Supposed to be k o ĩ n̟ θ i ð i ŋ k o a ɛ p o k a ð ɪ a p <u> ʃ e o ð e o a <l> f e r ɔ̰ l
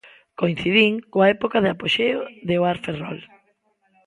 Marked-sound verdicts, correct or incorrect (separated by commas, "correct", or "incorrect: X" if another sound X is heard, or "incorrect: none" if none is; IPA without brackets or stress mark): incorrect: o, incorrect: ɾ